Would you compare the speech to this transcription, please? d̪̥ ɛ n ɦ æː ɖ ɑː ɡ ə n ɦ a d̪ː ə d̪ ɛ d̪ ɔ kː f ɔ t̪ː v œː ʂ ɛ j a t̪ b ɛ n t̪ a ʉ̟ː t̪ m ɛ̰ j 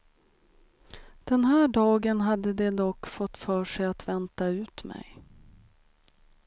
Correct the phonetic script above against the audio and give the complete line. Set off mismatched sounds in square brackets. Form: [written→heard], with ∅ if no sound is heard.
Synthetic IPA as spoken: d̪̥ ɛ n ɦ æː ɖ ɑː ɡ ə n ɦ a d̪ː ə d̪ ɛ d̪ ɔ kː f ɔ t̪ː [v→f] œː ʂ ɛ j a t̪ [b→v] ɛ n t̪ a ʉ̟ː t̪ m ɛ̰ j